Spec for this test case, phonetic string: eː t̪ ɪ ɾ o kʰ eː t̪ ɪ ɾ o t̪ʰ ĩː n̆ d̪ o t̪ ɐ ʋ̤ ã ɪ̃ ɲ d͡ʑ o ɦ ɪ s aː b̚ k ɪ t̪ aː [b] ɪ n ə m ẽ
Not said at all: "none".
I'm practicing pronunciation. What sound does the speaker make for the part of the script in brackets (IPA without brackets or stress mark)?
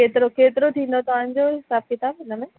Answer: b